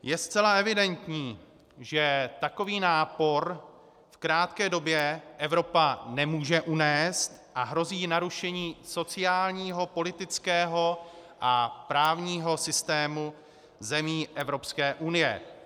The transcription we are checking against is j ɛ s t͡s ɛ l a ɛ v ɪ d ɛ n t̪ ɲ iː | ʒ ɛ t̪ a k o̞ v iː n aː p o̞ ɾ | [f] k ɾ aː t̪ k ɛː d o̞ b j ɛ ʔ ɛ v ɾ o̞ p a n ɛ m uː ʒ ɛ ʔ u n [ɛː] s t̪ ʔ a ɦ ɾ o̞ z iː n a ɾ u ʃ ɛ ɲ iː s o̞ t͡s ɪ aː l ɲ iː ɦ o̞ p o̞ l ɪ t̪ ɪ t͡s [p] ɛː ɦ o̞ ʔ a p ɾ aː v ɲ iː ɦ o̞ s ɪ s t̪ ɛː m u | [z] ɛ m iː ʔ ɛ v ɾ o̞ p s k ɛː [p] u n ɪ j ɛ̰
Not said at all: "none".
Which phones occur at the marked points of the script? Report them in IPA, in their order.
f, ɛː, k, z, ʔ

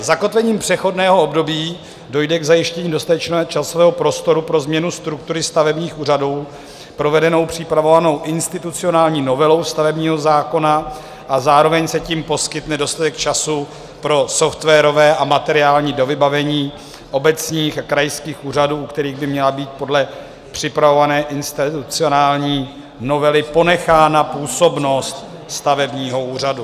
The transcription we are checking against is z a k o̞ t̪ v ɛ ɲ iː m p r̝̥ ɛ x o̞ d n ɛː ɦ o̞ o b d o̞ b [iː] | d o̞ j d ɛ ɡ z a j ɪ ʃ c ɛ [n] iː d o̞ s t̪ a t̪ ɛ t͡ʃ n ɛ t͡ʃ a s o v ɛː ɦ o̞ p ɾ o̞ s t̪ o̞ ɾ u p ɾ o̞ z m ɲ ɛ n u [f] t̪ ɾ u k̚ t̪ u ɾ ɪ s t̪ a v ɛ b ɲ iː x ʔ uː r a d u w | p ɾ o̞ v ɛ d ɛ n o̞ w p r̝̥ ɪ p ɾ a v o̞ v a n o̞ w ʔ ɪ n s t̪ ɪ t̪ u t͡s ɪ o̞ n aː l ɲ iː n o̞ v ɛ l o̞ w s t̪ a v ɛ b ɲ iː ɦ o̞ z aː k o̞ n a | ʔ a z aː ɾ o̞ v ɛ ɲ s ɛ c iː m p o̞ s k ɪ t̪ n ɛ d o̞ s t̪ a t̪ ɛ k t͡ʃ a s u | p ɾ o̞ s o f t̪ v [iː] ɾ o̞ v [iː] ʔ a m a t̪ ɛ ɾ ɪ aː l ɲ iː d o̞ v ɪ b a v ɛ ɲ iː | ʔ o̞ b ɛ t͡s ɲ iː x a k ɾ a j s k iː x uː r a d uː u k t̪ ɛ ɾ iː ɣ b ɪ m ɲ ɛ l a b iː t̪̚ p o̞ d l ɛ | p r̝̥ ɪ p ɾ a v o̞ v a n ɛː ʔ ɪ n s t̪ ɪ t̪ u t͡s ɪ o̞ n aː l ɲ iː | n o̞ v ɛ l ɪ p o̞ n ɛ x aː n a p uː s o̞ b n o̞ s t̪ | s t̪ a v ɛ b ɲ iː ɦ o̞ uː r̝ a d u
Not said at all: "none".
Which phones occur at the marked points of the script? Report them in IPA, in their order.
iː, ɲ, s, ɛː, ɛː

